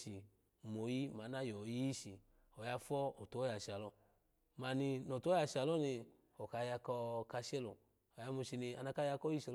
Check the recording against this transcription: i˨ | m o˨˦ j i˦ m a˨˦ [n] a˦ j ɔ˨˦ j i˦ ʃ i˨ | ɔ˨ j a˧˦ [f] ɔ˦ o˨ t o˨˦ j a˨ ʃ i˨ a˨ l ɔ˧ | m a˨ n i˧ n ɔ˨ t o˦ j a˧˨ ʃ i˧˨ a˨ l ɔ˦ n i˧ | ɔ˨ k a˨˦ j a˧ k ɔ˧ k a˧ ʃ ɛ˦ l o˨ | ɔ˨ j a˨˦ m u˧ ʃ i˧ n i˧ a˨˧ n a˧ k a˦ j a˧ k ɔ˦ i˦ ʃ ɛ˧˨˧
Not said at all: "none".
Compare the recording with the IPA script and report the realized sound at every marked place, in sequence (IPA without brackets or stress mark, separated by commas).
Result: n, f